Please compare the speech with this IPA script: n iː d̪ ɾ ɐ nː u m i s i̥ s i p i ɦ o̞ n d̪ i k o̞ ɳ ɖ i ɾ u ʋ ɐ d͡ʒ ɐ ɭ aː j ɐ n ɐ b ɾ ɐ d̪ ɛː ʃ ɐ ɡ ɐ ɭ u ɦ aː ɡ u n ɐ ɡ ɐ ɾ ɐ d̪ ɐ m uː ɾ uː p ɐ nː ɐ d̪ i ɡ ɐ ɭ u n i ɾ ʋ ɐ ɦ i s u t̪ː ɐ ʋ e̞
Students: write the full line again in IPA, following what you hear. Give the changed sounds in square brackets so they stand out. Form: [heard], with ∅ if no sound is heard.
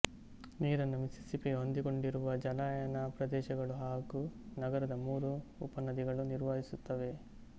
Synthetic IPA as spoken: n iː [∅] ɾ ɐ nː u m i s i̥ s i p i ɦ o̞ n d̪ i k o̞ ɳ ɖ i ɾ u ʋ ɐ d͡ʒ ɐ [l] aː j ɐ n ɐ [p] ɾ ɐ d̪ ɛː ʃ ɐ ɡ ɐ ɭ u ɦ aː ɡ u n ɐ ɡ ɐ ɾ ɐ d̪ ɐ m uː ɾ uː p ɐ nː ɐ d̪ i ɡ ɐ ɭ u n i ɾ ʋ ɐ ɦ i s u t̪ː ɐ ʋ e̞